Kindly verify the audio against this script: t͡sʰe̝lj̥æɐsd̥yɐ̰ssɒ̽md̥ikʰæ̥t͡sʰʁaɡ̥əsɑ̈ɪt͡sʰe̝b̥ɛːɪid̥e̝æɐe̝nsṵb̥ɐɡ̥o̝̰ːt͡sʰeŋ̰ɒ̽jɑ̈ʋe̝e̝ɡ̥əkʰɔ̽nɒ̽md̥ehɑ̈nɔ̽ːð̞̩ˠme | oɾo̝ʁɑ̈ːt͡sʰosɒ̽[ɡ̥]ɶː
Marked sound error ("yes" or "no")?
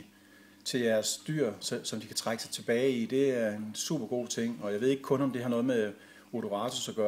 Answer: no